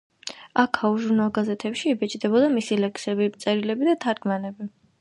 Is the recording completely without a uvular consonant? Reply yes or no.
yes